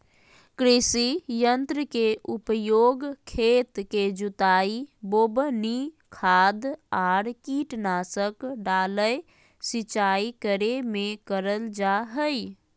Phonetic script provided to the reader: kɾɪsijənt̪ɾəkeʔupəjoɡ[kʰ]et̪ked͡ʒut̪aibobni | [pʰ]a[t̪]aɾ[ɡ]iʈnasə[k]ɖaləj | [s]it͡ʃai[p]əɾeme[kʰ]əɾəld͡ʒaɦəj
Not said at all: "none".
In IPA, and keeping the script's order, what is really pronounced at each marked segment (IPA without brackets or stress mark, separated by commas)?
kʰ, kʰ, d̪, k, k, s, k, k